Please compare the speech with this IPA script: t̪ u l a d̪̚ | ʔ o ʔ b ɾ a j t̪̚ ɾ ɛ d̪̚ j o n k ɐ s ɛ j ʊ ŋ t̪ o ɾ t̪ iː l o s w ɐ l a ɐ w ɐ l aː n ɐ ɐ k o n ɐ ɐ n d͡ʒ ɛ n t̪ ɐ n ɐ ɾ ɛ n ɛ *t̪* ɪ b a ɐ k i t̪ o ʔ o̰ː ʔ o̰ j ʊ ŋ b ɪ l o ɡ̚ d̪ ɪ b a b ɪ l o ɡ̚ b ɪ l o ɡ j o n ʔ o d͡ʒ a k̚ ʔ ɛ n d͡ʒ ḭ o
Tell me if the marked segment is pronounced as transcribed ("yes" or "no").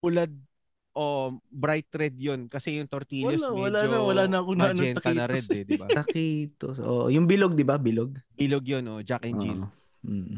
no